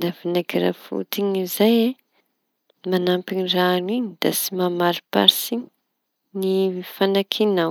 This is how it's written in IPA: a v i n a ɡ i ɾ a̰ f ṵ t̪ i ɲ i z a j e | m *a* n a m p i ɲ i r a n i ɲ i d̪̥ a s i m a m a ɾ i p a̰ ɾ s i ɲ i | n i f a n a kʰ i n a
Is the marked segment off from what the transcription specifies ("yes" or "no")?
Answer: no